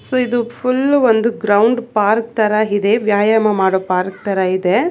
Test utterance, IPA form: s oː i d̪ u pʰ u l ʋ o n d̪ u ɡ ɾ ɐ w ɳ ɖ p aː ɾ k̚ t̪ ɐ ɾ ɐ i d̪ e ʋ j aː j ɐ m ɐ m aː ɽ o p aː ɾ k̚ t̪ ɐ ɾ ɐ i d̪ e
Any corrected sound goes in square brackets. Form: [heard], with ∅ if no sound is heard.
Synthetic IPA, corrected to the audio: s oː i d̪ u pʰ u l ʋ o n d̪ u ɡ ɾ ɐ w ɳ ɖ p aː ɾ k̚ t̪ ɐ ɾ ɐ i d̪ e ʋ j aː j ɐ m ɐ m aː ɽ o p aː ɾ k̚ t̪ ɐ ɾ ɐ i d̪ e